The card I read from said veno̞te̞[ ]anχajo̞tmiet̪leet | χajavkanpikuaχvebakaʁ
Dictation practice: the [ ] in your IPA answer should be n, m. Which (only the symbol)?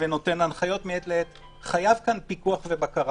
n